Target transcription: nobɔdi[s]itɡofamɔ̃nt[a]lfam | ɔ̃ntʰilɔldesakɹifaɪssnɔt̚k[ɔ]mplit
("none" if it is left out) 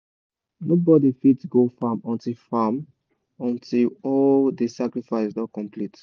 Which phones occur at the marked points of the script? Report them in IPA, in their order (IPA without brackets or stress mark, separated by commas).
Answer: f, i, ɔ̃